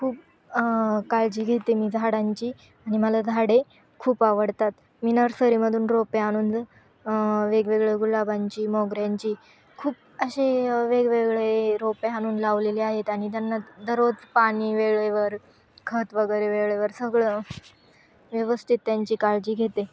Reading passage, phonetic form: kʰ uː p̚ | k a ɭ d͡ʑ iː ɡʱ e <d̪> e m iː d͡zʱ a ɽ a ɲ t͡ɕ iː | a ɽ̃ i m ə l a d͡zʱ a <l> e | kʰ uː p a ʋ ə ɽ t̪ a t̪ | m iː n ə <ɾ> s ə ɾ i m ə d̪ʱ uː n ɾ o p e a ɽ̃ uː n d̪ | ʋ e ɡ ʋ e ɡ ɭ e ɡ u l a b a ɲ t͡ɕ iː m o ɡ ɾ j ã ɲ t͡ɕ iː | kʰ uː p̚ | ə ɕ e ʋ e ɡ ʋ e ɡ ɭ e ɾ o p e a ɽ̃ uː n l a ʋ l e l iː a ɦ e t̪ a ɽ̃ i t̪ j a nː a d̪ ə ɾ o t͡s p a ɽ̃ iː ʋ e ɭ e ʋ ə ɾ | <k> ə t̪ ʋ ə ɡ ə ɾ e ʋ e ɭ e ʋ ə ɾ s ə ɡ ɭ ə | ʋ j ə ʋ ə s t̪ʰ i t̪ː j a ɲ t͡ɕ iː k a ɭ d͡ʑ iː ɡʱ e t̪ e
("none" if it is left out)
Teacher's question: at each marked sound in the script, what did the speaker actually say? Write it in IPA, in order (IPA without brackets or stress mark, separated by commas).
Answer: t̪, ɽ, ɾ, kʰ